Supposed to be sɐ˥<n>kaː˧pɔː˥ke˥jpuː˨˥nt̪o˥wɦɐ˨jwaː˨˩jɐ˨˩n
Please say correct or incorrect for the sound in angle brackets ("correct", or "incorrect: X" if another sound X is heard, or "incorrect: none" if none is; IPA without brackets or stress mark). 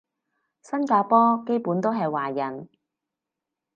correct